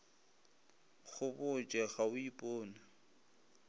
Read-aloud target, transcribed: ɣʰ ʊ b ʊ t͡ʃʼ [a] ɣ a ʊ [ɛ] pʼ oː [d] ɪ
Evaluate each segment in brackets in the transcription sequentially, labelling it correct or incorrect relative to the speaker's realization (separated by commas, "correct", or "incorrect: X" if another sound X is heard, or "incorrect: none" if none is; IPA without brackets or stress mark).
incorrect: ɛ, incorrect: i, incorrect: n